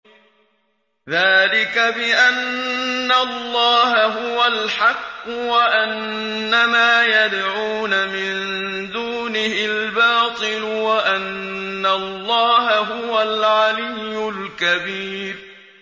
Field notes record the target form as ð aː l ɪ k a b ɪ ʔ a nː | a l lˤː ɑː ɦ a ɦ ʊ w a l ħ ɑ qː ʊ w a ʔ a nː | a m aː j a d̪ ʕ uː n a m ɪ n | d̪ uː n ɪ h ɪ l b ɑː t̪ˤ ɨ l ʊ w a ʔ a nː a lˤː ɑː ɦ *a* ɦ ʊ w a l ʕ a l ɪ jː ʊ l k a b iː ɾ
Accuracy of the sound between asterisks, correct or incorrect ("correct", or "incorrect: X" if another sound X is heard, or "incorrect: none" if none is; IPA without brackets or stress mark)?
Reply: correct